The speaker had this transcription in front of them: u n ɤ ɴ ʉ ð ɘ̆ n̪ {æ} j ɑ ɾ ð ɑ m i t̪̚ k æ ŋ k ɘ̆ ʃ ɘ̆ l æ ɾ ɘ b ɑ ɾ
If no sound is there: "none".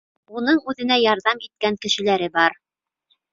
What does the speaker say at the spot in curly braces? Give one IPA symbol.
æ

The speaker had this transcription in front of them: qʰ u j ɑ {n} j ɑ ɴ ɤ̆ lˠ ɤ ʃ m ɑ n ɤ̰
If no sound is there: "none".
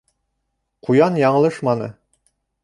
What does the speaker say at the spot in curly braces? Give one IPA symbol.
n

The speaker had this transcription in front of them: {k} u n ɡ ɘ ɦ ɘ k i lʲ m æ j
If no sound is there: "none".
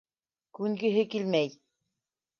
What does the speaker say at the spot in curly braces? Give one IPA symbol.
k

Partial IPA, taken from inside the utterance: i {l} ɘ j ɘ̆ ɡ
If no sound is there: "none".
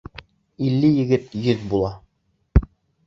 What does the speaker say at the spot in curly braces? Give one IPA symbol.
lː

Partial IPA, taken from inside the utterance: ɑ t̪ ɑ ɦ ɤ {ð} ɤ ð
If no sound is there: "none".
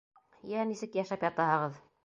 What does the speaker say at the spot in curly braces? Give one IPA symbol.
ʁ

